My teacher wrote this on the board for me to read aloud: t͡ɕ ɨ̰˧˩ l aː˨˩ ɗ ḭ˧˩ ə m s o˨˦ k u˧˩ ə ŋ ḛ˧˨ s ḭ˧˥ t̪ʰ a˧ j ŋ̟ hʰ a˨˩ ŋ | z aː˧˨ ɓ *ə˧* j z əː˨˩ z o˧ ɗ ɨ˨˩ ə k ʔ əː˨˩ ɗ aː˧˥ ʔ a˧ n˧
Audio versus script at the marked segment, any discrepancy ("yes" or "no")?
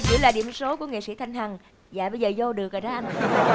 no